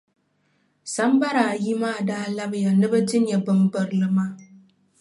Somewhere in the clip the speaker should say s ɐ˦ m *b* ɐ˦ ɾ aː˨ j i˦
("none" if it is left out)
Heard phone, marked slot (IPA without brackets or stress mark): b